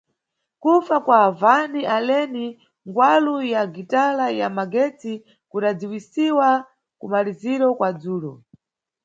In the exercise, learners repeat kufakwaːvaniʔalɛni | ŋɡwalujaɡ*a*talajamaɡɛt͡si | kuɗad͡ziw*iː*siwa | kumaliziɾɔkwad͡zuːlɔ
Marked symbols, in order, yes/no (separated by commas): no, no